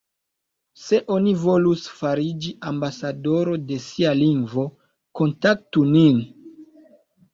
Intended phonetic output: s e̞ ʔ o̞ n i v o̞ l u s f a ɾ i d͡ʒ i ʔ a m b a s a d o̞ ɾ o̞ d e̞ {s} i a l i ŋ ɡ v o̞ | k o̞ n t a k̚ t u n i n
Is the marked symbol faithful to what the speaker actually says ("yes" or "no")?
yes